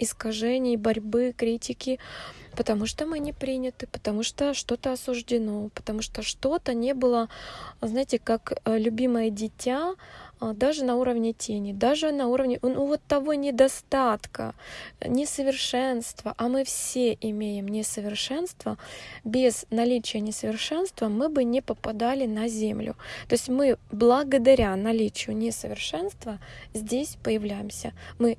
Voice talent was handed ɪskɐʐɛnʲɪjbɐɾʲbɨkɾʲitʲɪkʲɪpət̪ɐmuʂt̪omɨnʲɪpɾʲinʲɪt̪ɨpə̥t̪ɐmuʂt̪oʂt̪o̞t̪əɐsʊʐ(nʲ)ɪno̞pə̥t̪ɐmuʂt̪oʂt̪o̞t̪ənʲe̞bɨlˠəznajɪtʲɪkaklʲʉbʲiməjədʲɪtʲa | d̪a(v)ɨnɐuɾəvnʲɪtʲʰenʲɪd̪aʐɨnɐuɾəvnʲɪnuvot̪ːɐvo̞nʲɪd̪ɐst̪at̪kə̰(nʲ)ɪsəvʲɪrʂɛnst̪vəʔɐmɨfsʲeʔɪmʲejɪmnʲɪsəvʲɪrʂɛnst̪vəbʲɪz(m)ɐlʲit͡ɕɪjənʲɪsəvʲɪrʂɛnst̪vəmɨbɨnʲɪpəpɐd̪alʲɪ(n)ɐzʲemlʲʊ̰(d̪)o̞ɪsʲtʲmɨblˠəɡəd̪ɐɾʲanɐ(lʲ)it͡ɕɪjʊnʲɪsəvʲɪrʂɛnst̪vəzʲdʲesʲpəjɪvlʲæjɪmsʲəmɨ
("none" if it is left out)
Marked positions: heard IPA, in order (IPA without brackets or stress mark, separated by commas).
dʲ, ʐ, nʲ, n, n, t̪, lʲ